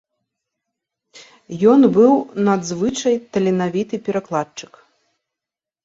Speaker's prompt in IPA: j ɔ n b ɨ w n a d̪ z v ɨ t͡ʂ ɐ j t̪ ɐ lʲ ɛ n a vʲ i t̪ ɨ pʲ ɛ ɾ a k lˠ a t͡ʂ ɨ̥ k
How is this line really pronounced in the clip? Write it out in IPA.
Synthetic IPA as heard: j ɔ n b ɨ w n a d̪ z v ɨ t͡ʂ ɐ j t̪ ɐ lʲ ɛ n a vʲ i t̪ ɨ pʲ ɛ ɾ a k lˠ a t͡ʂ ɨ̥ k